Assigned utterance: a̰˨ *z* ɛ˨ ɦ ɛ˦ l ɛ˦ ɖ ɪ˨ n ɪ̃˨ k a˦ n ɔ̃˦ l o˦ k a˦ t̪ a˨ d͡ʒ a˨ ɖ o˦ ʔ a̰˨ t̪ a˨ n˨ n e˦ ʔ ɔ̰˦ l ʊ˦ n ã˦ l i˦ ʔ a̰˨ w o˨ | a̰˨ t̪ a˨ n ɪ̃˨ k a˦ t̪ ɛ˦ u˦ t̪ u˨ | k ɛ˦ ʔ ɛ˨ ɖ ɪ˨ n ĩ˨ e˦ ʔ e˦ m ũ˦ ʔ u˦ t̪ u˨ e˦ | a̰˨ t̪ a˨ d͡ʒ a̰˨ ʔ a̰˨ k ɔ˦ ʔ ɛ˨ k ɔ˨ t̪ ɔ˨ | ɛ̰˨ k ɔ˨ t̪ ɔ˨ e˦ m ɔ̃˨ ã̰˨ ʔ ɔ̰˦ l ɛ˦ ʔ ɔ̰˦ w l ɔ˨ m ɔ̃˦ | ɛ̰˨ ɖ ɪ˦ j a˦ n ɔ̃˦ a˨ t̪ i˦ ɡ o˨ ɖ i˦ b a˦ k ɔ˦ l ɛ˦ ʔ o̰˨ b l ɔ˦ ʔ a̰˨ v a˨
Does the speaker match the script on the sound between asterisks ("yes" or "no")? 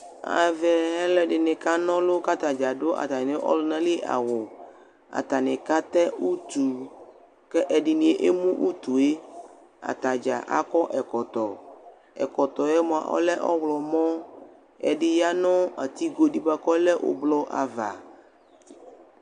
no